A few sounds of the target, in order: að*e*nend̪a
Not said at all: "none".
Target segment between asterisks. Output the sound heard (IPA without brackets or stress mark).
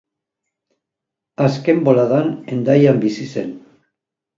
a